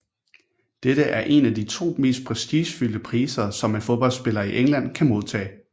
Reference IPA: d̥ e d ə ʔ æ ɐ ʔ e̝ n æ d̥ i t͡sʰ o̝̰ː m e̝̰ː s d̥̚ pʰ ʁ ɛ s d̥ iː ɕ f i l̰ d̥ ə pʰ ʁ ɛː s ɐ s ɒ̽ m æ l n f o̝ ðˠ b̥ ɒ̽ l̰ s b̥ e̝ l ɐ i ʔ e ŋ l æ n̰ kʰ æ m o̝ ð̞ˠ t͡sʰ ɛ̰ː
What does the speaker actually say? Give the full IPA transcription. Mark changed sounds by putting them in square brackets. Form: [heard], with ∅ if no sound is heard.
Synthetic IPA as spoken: d̥ e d ə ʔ æ ɐ ʔ e̝ n æ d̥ i t͡sʰ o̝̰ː m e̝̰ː s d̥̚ pʰ ʁ ɛ s d̥ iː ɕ f [y] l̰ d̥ ə pʰ ʁ [iː] s ɐ s ɒ̽ m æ [∅] n f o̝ ðˠ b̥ ɒ̽ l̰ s b̥ e̝ l ɐ i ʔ e ŋ l æ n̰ kʰ æ m o̝ ð̞ˠ t͡sʰ ɛ̰ː